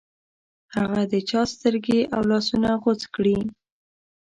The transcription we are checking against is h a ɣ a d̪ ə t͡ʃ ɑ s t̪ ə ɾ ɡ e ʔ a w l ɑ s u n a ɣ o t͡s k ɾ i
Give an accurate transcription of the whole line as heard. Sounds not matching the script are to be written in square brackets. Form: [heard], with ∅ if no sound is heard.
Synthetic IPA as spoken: h a ɣ a d̪ ə t͡ʃ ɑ s t̪ ə ɾ ɡ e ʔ a w l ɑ s u n a ɣ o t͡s k [ɽ] i

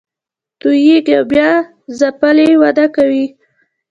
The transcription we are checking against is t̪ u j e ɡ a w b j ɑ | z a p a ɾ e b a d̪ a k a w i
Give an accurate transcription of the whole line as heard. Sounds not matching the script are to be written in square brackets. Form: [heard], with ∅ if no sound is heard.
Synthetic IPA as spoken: t̪ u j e ɡ a w b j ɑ | z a p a [l] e [w] a d̪ a k a w i

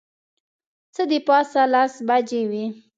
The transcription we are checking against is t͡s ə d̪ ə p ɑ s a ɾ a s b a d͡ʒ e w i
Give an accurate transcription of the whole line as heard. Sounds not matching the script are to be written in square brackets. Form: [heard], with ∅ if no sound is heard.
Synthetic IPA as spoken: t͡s ə d̪ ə p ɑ s a [l] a s b a d͡ʒ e w i

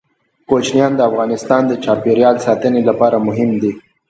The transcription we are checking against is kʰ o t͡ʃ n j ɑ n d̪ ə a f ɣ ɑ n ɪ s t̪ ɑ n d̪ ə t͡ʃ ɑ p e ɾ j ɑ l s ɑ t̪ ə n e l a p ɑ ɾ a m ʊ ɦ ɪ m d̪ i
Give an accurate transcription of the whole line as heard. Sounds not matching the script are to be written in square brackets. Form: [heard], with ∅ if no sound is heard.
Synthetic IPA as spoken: [k] o t͡ʃ n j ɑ n d̪ ə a f ɣ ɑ n ɪ s t̪ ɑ n d̪ ə t͡ʃ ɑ p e ɾ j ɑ l s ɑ t̪ ə n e l a p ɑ ɾ a m ʊ ɦ ɪ m d̪ i

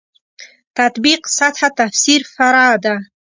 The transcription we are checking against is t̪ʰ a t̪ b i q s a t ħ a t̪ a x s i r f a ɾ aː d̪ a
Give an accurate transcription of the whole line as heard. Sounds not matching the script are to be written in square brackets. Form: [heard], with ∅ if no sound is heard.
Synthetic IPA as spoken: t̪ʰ a t̪ b i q s a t ħ a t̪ a [f] s i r f a ɾ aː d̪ a

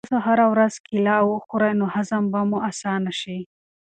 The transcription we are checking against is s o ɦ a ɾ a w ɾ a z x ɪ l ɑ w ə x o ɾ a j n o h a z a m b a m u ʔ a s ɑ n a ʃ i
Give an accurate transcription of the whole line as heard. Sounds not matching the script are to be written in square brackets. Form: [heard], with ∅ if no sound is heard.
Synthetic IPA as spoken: s o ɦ a ɾ a w ɾ a z [k] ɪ l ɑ w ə x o ɾ a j n o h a z a m b a m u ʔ a s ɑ n a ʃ i

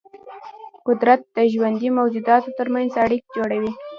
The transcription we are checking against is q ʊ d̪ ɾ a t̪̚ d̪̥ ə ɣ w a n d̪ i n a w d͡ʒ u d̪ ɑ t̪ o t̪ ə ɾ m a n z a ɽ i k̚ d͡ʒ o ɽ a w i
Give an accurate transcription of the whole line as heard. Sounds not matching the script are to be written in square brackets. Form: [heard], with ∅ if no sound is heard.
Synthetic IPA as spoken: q ʊ d̪ ɾ a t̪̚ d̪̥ ə [ʒ] w a n d̪ i [m] a w d͡ʒ u d̪ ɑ t̪ o t̪ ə ɾ m a n z a ɽ i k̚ d͡ʒ o ɽ a w i

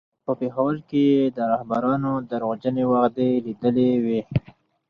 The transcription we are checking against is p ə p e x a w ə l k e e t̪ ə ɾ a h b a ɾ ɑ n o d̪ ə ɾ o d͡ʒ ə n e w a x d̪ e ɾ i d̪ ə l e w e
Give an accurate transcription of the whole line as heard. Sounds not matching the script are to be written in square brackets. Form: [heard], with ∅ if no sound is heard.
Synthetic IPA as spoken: p ə p e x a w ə l k e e [d̪] ə ɾ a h b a ɾ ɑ n o d̪ ə ɾ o d͡ʒ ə n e w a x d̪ e [l] i d̪ ə l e w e

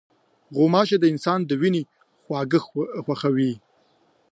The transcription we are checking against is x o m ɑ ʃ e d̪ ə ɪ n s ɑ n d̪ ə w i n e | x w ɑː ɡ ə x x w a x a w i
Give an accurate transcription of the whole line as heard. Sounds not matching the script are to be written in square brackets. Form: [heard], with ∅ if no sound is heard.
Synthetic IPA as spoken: [ɣ] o m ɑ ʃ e d̪ ə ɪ n s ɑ n d̪ ə w i n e | x w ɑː ɡ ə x x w a x a w i

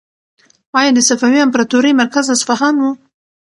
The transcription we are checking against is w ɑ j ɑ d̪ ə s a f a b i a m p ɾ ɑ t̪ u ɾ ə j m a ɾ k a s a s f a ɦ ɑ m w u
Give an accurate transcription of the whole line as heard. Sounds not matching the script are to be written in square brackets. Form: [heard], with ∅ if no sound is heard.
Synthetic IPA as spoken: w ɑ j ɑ d̪ ə s a f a [w] i a m p ɾ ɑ t̪ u ɾ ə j m a ɾ k a [z] a s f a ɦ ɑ [n] w u

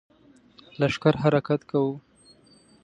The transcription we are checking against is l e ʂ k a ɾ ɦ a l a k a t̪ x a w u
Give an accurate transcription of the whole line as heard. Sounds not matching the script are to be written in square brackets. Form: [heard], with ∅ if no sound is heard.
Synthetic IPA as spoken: l [a] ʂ k a ɾ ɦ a [ɾ] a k a t̪ [k] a w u

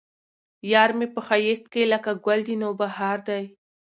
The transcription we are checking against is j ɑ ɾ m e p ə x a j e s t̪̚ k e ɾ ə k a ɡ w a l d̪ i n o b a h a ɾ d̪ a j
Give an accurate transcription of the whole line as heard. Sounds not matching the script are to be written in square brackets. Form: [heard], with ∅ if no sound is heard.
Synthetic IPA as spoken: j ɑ ɾ m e p ə x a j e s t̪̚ k e [l] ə k a ɡ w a l d̪ i n o b a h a ɾ d̪ a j

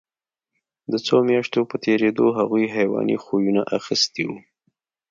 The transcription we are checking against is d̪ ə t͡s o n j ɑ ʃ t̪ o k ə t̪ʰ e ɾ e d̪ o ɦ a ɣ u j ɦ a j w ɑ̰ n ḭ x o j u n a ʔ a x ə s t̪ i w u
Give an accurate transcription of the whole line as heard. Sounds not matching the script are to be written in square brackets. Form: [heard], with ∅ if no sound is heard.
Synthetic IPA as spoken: d̪ ə t͡s o [m] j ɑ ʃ t̪ o [p] ə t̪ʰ e ɾ e d̪ o ɦ a ɣ u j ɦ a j w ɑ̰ n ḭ x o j u n a ʔ a x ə s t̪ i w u

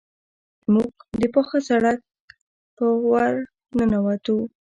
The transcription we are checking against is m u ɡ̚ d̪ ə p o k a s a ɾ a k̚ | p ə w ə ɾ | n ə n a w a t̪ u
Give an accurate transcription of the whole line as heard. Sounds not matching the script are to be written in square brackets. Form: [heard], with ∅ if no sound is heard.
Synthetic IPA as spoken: m u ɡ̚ d̪ ə p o [x] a s a [ɽ] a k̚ | p ə w [a] ɾ | n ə n a w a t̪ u

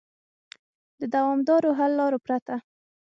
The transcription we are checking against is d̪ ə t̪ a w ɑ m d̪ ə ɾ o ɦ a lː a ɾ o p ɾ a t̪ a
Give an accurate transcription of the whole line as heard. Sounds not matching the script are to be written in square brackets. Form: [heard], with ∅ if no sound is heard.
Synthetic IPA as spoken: d̪ ə [d̪] a w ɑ m d̪ [ɑ] ɾ o ɦ a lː [ɑ] ɾ o p ɾ a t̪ a

